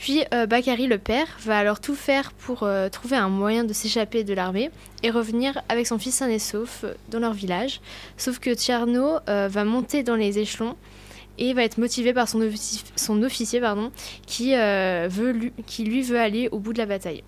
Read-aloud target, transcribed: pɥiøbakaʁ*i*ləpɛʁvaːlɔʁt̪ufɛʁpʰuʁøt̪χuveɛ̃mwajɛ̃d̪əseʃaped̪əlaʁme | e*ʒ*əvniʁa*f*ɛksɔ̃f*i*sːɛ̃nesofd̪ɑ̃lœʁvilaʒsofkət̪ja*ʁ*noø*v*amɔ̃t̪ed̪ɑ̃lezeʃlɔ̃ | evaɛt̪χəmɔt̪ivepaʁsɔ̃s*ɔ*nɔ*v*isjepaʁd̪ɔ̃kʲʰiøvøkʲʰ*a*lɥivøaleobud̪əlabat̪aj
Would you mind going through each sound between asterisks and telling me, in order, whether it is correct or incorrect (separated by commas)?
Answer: correct, incorrect, incorrect, correct, correct, correct, incorrect, incorrect, incorrect